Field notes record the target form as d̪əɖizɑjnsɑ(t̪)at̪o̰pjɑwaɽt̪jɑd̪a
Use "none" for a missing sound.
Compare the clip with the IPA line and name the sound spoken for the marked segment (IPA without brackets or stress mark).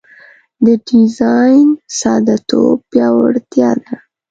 d̪